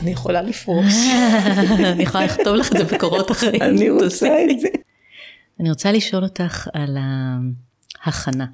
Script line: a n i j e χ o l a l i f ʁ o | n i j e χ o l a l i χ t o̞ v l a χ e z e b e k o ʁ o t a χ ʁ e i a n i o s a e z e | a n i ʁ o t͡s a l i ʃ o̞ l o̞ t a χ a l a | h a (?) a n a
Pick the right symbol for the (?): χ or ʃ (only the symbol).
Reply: χ